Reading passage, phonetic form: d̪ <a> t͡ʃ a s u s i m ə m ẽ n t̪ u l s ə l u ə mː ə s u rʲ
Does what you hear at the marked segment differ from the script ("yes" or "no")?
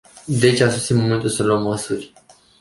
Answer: yes